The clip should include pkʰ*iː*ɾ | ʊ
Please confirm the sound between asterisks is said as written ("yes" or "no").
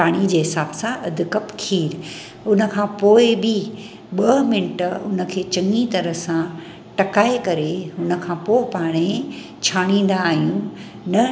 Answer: yes